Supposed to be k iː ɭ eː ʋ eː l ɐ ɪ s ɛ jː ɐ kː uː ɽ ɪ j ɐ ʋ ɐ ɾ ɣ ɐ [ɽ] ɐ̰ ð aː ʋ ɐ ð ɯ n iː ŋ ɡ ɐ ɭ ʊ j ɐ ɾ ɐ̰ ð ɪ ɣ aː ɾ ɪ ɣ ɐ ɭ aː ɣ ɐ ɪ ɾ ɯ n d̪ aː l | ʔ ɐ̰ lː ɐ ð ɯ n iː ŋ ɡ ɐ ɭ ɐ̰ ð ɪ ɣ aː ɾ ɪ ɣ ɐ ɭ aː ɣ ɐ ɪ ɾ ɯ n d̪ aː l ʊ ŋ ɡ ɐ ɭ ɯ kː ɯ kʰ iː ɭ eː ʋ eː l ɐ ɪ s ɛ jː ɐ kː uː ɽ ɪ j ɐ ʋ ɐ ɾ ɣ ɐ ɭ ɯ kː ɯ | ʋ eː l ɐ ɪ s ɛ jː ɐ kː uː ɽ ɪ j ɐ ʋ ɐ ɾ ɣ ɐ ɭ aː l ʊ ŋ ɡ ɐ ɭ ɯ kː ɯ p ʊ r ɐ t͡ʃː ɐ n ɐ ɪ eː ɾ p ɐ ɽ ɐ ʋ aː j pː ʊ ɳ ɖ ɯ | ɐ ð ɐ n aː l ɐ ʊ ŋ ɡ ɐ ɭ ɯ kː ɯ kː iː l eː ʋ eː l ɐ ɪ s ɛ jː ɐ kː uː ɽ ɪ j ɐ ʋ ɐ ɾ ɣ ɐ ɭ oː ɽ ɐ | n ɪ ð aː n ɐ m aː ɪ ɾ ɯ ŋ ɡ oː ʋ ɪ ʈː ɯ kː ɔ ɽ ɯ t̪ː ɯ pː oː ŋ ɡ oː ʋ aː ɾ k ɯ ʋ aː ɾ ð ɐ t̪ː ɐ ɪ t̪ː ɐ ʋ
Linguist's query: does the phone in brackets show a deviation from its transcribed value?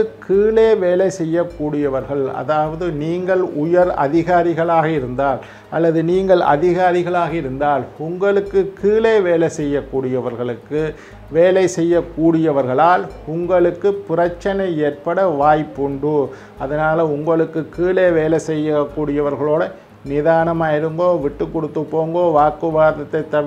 yes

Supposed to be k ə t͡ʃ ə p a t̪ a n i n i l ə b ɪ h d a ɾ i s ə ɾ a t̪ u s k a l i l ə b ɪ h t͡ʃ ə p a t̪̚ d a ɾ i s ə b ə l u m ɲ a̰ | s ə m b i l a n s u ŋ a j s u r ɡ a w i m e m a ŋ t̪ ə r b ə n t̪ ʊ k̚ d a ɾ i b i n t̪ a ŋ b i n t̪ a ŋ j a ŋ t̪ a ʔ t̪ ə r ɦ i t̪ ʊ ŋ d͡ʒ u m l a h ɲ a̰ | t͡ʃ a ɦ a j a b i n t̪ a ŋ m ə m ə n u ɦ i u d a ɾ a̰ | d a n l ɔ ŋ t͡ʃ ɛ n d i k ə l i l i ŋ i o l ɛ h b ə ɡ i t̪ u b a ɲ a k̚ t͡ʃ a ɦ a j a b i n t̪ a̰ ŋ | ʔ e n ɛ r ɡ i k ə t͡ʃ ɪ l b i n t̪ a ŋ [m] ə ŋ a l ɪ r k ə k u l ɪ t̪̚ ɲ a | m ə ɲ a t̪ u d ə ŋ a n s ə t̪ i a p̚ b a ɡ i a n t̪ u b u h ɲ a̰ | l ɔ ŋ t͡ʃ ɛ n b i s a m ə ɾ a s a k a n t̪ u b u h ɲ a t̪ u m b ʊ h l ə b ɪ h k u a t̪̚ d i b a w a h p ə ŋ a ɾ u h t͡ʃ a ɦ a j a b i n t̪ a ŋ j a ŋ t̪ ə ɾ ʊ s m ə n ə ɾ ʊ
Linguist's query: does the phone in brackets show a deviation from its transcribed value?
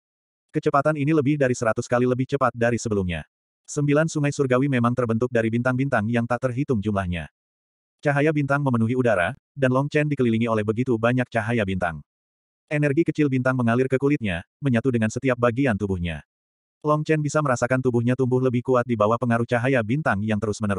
no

